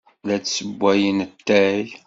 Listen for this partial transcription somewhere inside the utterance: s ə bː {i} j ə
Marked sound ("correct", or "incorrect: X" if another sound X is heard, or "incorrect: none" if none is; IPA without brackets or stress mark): incorrect: æ